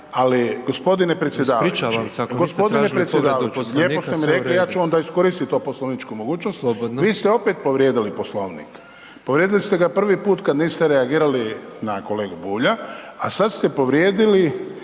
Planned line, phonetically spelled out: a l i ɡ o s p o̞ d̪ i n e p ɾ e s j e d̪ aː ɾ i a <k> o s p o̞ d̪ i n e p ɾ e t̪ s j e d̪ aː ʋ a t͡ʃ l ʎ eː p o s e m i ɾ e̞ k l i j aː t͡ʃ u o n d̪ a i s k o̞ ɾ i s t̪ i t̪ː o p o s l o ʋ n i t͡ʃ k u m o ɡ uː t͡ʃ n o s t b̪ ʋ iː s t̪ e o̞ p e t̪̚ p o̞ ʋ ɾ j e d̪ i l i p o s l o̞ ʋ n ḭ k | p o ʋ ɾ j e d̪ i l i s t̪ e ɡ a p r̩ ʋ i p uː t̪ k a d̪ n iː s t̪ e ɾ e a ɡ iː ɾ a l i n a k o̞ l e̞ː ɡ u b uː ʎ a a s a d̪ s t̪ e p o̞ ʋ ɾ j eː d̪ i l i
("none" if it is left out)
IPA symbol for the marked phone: ɡ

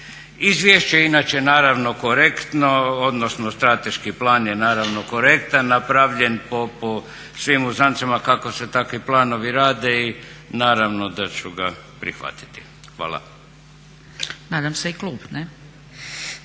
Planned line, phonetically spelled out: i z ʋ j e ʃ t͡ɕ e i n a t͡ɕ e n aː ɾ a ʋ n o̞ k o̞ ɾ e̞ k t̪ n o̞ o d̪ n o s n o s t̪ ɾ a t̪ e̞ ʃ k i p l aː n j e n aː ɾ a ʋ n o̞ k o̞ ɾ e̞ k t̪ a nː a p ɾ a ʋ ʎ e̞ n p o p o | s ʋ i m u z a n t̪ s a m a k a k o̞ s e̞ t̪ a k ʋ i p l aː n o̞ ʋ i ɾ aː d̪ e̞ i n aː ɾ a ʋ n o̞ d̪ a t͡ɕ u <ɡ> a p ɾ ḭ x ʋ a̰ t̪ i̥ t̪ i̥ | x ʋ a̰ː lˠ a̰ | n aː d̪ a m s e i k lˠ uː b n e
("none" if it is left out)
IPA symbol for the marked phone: ɡ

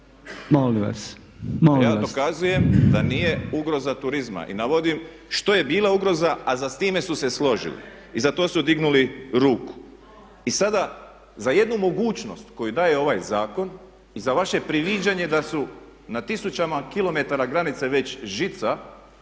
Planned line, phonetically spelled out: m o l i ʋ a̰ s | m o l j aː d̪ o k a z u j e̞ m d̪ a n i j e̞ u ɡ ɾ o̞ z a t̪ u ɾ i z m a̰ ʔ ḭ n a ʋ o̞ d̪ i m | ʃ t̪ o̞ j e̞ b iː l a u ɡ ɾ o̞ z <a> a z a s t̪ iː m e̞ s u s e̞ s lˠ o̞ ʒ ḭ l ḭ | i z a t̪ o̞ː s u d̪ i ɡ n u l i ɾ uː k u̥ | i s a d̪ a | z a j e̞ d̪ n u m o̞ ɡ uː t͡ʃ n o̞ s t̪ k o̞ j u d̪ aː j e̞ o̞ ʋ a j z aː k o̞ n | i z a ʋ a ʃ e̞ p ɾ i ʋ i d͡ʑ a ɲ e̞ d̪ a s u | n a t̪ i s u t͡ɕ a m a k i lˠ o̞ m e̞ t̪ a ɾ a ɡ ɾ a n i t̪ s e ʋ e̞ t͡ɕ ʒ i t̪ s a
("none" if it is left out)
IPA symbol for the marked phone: a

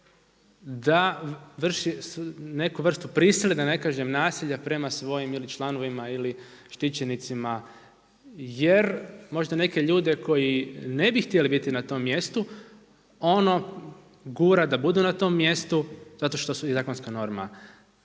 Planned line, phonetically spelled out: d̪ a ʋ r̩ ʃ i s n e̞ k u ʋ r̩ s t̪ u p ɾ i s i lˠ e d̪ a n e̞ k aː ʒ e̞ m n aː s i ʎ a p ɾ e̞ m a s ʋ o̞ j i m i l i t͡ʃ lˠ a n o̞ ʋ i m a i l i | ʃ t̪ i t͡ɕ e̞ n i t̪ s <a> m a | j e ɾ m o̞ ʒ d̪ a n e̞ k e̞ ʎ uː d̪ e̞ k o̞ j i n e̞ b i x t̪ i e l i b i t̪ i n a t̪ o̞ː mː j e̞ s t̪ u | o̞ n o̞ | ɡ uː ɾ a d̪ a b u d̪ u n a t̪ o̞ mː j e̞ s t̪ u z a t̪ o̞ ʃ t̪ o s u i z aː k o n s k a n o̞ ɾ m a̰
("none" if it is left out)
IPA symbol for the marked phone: i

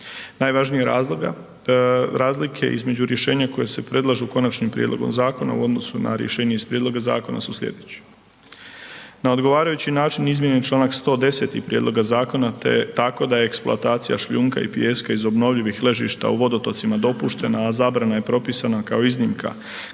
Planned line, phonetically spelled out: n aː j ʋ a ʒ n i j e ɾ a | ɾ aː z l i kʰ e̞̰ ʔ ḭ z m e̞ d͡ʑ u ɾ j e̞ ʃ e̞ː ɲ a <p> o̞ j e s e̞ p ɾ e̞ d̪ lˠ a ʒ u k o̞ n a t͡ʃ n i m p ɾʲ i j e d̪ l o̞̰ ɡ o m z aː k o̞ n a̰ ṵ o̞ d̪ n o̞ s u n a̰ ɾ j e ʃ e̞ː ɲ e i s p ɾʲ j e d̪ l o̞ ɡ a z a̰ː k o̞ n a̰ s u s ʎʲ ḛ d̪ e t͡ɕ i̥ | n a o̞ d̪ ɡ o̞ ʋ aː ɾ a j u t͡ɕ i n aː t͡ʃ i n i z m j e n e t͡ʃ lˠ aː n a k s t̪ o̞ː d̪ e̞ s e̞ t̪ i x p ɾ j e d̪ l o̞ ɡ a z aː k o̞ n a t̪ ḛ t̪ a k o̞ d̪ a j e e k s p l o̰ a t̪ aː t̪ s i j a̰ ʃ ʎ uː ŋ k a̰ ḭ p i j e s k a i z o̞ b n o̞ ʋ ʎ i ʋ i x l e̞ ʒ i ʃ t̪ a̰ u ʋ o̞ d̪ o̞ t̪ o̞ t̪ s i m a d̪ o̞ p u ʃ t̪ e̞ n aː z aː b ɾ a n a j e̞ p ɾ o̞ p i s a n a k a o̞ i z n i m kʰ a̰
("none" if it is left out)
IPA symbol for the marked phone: k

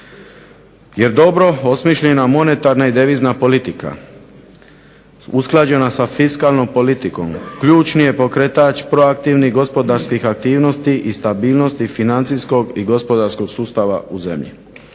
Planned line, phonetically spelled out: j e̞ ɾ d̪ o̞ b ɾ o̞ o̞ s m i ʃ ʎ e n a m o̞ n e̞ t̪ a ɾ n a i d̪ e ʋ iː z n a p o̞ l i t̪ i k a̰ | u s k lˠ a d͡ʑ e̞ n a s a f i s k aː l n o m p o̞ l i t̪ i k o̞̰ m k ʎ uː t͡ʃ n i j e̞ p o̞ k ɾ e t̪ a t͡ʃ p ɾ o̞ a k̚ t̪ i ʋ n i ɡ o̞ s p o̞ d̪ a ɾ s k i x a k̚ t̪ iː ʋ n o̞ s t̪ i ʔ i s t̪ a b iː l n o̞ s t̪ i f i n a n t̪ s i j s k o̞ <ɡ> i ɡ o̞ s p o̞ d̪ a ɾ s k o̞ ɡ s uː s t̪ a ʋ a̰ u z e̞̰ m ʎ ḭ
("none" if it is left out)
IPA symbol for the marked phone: ɡ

